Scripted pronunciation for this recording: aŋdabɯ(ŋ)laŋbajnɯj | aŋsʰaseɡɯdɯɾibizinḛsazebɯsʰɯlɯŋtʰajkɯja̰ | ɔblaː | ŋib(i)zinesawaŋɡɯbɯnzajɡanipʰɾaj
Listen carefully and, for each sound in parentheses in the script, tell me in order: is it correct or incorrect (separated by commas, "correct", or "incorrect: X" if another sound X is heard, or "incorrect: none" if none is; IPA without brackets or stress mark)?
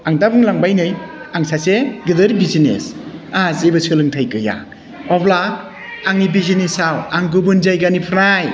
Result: correct, correct